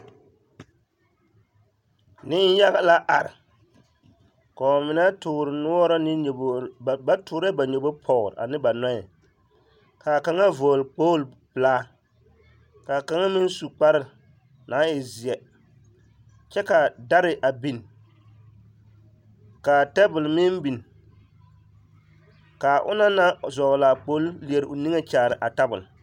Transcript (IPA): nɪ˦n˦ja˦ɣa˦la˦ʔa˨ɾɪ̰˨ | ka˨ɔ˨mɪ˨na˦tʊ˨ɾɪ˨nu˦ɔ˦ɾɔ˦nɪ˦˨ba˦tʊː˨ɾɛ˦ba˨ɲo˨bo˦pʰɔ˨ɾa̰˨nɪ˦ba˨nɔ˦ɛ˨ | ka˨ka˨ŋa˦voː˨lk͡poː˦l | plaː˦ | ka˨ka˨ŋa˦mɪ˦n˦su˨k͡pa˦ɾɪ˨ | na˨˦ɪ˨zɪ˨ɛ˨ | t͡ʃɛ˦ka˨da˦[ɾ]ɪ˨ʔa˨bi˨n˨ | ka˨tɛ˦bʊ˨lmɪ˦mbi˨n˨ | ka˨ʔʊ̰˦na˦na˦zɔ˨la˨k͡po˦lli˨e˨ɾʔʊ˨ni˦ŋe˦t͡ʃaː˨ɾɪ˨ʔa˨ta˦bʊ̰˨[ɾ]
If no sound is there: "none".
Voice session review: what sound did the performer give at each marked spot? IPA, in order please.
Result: ɾ, l

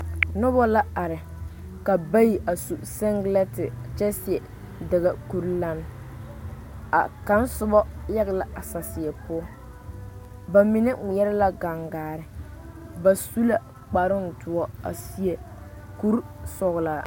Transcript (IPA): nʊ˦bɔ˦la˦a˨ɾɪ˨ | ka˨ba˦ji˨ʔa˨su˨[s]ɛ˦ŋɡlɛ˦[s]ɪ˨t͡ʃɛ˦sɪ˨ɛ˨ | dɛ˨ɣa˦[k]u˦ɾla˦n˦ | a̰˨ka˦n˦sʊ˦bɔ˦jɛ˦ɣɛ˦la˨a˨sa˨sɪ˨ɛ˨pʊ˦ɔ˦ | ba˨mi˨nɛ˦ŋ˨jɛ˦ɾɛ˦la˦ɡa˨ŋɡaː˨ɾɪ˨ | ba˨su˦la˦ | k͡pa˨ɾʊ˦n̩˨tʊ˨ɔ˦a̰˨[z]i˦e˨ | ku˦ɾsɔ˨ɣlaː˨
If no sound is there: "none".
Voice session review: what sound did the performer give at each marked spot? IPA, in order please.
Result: s, t, k, s

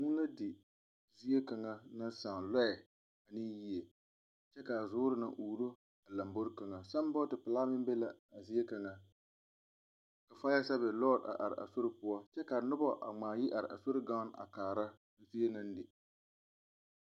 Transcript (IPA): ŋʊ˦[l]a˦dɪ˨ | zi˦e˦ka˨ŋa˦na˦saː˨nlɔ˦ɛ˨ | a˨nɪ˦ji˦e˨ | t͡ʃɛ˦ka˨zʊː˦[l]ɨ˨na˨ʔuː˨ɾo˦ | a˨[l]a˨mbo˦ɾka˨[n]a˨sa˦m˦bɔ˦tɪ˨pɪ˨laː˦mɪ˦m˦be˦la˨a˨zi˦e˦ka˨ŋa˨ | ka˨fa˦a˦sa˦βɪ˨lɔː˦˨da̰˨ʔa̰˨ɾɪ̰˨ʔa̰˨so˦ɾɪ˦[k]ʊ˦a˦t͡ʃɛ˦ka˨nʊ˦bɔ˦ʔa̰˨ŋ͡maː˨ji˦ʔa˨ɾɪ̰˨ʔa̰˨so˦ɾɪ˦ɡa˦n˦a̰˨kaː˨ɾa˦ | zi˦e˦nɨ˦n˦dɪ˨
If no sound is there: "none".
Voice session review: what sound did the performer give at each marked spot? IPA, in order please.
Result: l, ɾ, l, ŋ, p

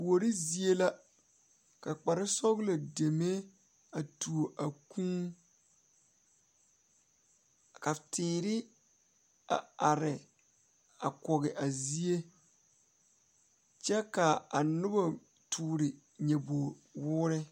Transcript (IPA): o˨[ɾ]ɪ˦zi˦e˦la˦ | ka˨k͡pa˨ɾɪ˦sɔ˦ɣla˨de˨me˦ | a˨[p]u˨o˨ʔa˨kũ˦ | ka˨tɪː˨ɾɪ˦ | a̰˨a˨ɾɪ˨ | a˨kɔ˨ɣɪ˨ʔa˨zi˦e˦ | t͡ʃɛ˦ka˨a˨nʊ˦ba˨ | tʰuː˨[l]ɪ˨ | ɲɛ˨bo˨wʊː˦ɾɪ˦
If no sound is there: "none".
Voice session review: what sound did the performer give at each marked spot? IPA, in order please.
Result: ɾ, t, ɾ

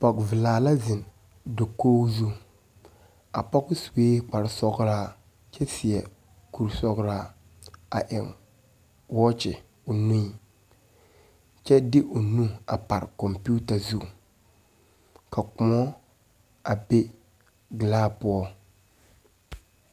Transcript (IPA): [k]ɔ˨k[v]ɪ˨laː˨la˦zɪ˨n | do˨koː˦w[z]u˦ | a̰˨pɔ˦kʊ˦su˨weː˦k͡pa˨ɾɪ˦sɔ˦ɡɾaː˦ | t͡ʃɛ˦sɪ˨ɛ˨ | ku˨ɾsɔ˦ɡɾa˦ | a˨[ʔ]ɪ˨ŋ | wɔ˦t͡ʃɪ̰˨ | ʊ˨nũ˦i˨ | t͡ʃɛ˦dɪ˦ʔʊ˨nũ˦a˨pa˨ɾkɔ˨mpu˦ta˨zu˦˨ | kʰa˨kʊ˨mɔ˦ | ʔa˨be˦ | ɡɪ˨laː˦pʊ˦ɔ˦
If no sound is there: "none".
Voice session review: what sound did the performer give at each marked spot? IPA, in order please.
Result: p, v, z, ʔ

